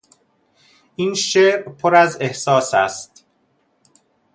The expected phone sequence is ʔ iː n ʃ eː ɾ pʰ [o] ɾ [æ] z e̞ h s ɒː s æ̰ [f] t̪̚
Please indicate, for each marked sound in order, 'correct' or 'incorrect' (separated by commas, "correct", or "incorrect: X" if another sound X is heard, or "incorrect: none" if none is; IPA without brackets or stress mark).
correct, correct, incorrect: s